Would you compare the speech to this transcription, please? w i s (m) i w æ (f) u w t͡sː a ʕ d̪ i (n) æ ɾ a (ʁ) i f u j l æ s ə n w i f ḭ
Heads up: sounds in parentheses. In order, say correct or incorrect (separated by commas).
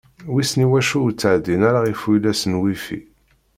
incorrect, incorrect, correct, correct